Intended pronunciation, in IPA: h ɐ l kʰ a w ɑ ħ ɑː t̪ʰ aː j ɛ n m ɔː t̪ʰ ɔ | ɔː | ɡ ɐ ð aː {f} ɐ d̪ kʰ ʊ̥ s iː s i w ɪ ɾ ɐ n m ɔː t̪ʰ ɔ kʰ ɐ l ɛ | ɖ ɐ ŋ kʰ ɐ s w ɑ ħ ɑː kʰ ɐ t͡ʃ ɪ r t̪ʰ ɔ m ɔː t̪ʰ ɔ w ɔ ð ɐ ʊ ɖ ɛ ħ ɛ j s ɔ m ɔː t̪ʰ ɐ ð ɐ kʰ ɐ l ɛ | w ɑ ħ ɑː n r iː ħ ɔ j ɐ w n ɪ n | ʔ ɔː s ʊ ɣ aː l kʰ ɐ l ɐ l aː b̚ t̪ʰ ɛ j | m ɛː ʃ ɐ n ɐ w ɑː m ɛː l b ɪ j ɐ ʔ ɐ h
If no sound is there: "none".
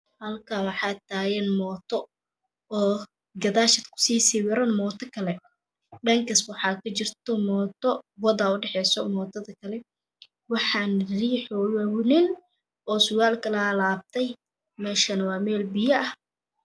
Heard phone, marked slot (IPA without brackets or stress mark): ʃ